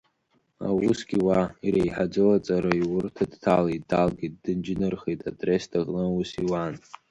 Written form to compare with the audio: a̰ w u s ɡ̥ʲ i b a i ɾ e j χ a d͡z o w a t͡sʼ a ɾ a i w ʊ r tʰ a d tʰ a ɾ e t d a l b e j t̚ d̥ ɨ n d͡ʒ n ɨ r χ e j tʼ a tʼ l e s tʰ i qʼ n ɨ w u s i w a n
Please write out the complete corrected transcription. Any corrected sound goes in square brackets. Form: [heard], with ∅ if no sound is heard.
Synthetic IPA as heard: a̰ w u s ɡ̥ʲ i [w] a i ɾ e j [ħ] a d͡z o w a t͡sʼ a ɾ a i w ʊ r tʰ a d tʰ a [l] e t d a l [ɡ] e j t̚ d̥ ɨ n d͡ʒ n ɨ r χ e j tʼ a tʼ [r] e s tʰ [a] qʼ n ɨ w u s i w a n